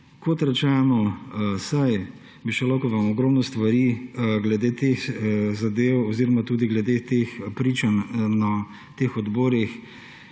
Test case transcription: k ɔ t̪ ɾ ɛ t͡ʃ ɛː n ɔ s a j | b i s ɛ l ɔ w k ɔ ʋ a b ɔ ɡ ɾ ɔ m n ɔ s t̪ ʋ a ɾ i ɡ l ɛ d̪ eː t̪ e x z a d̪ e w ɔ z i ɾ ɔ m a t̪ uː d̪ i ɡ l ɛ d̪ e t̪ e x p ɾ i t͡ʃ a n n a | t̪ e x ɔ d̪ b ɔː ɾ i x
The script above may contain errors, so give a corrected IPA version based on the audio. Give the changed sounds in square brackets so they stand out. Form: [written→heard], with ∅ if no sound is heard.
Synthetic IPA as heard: k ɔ t̪ ɾ ɛ t͡ʃ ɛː n ɔ s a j | b i [s→ʃ] ɛ l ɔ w k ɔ ʋ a [b→m] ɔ ɡ ɾ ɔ m n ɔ s t̪ ʋ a ɾ i ɡ l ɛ d̪ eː t̪ e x z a d̪ e w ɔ z i ɾ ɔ m a t̪ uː d̪ i ɡ l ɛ d̪ e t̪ e x p ɾ i t͡ʃ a n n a | t̪ e x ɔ d̪ b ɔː ɾ i x